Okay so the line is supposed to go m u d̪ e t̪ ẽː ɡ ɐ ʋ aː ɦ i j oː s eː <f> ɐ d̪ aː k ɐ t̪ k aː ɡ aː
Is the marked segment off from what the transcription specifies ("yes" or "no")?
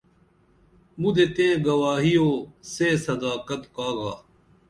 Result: yes